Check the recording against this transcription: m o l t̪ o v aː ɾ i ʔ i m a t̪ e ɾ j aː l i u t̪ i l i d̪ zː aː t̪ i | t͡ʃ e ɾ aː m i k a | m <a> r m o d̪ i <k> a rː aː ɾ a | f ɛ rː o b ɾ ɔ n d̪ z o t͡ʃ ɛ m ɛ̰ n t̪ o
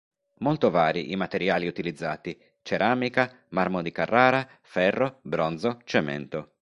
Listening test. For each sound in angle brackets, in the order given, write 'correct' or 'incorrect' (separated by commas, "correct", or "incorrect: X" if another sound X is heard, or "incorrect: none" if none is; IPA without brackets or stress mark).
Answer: correct, correct